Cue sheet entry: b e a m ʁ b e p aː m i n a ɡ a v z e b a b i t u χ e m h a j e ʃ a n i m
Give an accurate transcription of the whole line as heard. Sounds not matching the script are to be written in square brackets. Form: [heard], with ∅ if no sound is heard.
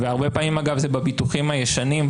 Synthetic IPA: [v] e a [∅] ʁ b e p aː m i [m] a ɡ a v z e b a b i t u χ [i] m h a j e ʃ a n i m

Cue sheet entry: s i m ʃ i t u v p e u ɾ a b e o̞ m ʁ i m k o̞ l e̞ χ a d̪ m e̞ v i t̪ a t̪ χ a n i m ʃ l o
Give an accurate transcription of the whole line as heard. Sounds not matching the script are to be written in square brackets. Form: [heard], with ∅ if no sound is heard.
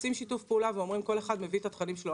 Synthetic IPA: s i m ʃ i t u [f] p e u [l] a [v] e o̞ m ʁ i m k o̞ l e̞ χ a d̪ m e̞ v i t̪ a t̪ χ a n i m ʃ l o

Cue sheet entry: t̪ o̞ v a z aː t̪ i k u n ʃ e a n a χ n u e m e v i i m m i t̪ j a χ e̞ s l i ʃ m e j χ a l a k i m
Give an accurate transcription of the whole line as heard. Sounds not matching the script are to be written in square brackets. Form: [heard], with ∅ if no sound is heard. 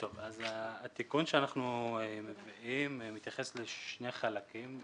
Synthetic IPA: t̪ o̞ v a z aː t̪ i k u n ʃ e a n a χ n u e m e v i i m m i t̪ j a χ e̞ s l [e] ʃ [n] e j χ a l a k i m

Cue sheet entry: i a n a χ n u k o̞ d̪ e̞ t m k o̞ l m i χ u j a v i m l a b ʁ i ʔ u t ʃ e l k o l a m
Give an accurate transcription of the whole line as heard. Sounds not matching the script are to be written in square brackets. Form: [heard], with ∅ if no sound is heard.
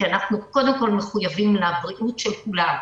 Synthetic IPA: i a n a χ n u k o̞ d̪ e̞ [∅] m k o̞ l m [e] χ u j a v i m l a b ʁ i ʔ u t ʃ e l k [u] l a m

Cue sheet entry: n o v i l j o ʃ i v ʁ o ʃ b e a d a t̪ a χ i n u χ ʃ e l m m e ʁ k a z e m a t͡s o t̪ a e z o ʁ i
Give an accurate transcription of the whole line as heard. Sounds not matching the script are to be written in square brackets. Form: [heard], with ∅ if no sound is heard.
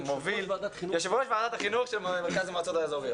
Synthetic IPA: [m] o v i l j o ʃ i v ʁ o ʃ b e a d a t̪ a χ i n u χ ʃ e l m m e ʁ k a z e m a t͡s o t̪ a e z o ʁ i

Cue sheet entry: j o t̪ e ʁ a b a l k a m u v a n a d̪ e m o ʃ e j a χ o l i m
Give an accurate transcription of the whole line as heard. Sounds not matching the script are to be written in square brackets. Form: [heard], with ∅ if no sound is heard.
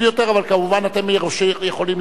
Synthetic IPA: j o t̪ e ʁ a [v] a l k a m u v a n a [t̪] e m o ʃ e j [e] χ o l i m

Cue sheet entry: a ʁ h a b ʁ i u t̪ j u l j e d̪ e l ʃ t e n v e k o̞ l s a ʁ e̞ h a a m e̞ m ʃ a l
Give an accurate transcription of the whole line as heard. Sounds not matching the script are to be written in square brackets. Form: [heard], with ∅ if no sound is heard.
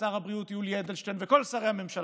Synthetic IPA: a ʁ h a b ʁ i u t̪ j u l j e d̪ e l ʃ t e n v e k o̞ l s a ʁ e̞ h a a m e̞ m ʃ a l

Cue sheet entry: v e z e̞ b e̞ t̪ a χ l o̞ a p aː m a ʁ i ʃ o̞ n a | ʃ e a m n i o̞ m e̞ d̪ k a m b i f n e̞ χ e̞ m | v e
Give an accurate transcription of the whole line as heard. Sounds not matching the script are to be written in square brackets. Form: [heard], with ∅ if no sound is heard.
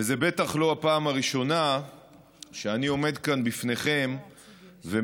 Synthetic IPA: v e z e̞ b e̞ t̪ a χ l o̞ a p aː m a ʁ i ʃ o̞ n a | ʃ e a [∅] n i o̞ m e̞ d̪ k a [n] b i f n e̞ χ e̞ m | v e

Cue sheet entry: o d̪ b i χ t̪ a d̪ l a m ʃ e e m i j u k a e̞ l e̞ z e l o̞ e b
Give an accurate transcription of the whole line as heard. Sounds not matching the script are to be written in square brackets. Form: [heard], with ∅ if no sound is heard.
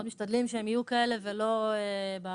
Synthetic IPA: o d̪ [m] i [ʃ] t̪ a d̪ l [i] m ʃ e e m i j u k a e̞ l e̞ [v] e l o̞ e b

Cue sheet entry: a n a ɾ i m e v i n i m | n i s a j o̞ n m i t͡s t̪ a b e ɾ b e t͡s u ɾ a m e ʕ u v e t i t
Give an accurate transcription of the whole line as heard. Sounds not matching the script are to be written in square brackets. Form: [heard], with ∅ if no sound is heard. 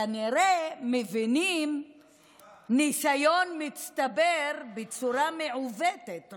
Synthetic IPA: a n [i] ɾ [e] m e v i n i m | n i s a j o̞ n m i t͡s t̪ a b e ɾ b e t͡s u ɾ a m e ʕ u v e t [e] t

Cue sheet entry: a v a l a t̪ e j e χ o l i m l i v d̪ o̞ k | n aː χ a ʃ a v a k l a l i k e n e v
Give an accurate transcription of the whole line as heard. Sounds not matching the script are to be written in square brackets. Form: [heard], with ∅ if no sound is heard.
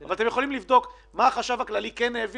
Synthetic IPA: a v a l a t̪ e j e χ o l i m l i v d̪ o̞ k | [m] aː χ a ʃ a v a k l a l i k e n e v

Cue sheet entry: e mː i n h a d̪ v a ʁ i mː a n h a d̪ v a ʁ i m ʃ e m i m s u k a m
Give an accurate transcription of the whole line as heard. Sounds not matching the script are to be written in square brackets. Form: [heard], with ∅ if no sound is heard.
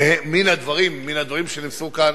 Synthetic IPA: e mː i n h a d̪ v a ʁ i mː [i] n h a d̪ v a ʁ i m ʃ e [n] i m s u k a [n]

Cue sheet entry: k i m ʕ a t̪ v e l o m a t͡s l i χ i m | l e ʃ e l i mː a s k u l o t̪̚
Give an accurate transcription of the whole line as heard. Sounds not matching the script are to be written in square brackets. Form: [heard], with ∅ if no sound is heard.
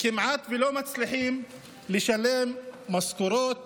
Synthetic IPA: k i m ʕ a t̪ v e l o m a t͡s l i [ħ] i m | l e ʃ [a] l [e] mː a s k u [ɾ] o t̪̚

